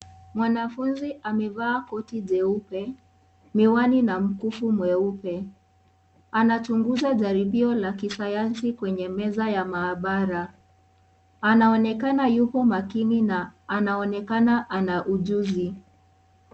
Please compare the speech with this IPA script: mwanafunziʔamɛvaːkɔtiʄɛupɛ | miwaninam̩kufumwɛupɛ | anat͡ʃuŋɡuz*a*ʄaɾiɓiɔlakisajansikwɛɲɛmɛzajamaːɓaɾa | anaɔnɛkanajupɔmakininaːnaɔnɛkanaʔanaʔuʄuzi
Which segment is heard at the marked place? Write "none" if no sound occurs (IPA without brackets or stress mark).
a